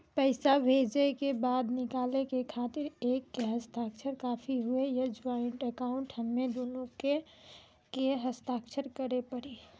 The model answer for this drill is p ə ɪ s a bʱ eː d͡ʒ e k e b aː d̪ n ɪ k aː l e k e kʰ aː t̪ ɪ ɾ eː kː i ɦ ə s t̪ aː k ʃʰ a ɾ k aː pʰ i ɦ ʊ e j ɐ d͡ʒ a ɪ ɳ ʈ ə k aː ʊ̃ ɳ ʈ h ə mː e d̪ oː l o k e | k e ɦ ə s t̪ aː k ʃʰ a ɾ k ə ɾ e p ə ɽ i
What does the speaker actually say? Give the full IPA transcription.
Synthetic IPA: p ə ɪ s a bʱ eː d͡ʒ e k e b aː d̪ n ɪ k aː l e k e kʰ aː t̪ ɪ ɾ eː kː e ɦ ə s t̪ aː k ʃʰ ə ɾ k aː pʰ i ɦ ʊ e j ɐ d͡ʒ a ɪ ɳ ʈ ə k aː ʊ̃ ɳ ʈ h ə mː e d̪ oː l o k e | k e ɦ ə s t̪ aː k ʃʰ ə ɾ k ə ɾ e p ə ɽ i